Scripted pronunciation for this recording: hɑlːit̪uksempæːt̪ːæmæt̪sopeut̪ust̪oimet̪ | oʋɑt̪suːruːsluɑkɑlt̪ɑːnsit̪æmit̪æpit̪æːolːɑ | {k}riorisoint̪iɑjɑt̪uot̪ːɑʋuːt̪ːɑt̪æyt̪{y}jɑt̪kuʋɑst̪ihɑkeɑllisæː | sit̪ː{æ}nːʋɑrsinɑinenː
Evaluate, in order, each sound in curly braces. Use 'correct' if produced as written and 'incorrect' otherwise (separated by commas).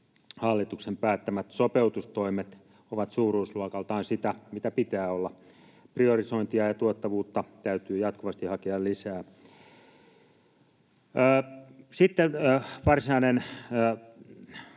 incorrect, incorrect, incorrect